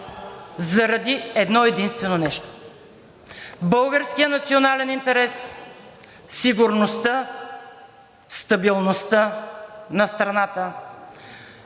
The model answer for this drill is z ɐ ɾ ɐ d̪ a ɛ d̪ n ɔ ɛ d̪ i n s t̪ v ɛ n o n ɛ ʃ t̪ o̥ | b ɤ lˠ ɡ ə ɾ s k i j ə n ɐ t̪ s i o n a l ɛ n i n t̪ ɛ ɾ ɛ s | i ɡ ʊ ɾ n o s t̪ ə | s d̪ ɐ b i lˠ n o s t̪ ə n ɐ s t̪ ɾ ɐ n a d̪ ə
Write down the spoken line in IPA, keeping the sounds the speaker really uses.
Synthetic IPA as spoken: z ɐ ɾ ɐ d̪ i ɛ d̪ n ɔ ɛ d̪ i n s t̪ v ɛ n o n ɛ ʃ t̪ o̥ | b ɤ lˠ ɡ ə ɾ s k i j ə n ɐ t̪ s i o n a l ɛ n i n t̪ ɛ ɾ ɛ s | i ɡ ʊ ɾ n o s t̪ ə | s t̪ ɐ b i lˠ n o s t̪ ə n ɐ s t̪ ɾ ɐ n a t̪ ə